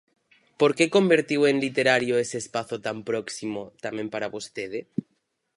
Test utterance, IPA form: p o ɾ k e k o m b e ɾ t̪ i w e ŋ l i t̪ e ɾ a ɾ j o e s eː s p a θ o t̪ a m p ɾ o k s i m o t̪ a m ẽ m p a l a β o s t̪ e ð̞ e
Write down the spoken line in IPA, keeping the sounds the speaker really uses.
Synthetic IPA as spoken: p o ɾ k e k o m b e ɾ t̪ i w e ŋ l i t̪ e ɾ a ɾ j o e s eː s p a θ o t̪ a m p ɾ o k s i m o t̪ a m ẽ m p a ɾ a β o s t̪ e ð̞ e